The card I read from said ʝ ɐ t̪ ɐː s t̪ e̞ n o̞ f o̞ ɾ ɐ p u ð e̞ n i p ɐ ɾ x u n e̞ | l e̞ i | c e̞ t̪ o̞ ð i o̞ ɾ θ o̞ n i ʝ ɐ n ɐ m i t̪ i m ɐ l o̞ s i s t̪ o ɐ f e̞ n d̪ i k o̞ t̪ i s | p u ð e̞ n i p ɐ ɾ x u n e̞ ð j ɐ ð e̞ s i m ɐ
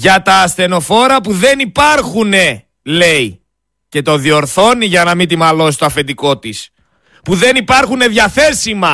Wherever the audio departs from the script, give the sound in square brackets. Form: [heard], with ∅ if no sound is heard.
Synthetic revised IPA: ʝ ɐ t̪ ɐː s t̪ e̞ n o̞ f o̞ ɾ ɐ p u ð e̞ n i p ɐ ɾ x u n e̞ | l e̞ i | c e̞ t̪ o̞ ð i o̞ ɾ θ o̞ n i ʝ ɐ n ɐ m i t̪ i m ɐ l o̞ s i s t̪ o ɐ f e̞ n d̪ i k o̞ t̪ i s | p u ð e̞ n i p ɐ ɾ x u n e̞ ð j ɐ [θ] e̞ s i m ɐ